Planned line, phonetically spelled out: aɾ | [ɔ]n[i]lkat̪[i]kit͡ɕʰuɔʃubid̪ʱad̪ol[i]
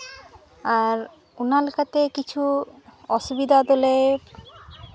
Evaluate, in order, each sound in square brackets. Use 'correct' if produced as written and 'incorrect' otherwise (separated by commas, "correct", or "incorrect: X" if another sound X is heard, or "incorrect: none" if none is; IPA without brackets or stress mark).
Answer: incorrect: u, incorrect: a, incorrect: e, incorrect: e